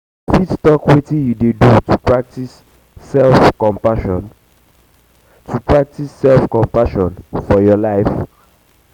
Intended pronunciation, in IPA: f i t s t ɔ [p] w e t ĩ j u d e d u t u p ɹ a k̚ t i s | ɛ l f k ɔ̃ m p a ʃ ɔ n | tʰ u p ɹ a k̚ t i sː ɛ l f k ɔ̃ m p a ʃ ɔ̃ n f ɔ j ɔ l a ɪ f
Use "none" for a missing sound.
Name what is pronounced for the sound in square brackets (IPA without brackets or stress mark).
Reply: k